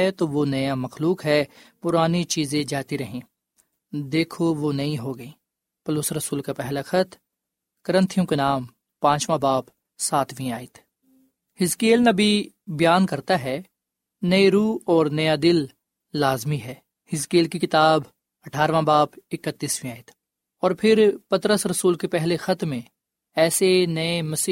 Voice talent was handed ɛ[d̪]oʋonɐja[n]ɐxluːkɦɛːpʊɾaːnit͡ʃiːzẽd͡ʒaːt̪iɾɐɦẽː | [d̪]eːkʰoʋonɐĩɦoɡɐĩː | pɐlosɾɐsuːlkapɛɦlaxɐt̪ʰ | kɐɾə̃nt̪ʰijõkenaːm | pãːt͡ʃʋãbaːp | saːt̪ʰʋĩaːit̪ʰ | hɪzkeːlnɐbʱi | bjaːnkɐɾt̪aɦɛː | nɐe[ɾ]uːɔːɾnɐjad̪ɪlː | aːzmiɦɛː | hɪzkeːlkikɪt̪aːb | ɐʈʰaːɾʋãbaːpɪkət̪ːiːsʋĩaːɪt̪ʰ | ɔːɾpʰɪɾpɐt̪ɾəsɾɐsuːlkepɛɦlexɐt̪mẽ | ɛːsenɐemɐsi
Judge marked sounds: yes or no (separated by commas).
no, no, yes, yes